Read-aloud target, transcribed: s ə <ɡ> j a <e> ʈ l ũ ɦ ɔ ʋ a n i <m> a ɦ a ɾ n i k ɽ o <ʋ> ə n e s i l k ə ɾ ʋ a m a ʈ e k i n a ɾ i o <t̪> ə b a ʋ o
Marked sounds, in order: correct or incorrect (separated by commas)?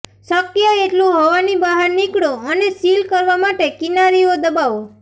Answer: incorrect, correct, incorrect, incorrect, incorrect